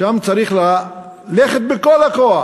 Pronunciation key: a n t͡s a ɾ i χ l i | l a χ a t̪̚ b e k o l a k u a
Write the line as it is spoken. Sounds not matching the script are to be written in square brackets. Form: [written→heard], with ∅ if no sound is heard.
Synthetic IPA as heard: a [n→m] t͡s a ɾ i χ l [i→a] | l [a→e] χ [a→e] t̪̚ b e k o l a k [u→o] a